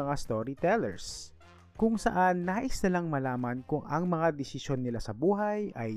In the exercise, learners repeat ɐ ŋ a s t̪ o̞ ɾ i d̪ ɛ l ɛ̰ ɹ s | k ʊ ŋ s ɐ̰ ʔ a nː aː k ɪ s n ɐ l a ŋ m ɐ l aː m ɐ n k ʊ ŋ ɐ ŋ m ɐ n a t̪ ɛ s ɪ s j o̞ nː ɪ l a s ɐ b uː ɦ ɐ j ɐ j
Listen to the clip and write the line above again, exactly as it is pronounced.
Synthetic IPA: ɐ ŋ a s t̪ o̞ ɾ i t̪ ɛ l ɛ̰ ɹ s | k ʊ ŋ s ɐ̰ ʔ a nː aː ʔ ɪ s n ɐ l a ŋ m ɐ l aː m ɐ n k ʊ ŋ ɐ ŋ m ɐ ŋ a d̪ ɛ s ɪ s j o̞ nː ɪ l a s ɐ b uː ɦ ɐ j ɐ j